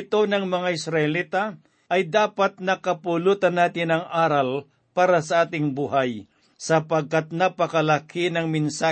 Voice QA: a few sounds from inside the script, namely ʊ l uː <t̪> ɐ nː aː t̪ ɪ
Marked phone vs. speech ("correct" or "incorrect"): correct